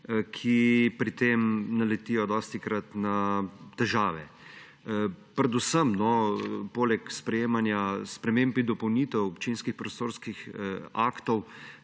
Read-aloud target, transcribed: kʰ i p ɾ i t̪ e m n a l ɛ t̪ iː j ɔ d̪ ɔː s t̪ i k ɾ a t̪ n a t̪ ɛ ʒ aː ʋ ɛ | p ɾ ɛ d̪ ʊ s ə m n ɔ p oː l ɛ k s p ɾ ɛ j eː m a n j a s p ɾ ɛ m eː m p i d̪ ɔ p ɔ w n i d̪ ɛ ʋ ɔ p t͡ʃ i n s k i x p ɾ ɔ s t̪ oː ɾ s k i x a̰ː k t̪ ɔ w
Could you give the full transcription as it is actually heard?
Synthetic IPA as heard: kʰ i p ɾ i t̪ e m n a l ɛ t̪ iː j ɔ d̪ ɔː s t̪ i k ɾ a t̪ n a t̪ ɛ ʒ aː ʋ ɛ | p ɾ ɛ d̪ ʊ s ə m n ɔ p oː l ɛ k s p ɾ ɛ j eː m a n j a s p ɾ ɛ m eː m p i d̪ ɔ p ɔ w n i t̪ ɛ w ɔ p t͡ʃ i n s k i x p ɾ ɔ s t̪ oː ɾ s k i x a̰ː k t̪ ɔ w